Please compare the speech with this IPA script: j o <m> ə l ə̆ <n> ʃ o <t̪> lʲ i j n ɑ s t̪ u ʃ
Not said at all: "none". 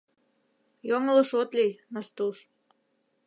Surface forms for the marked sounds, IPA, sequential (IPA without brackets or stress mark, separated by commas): ŋ, none, t̪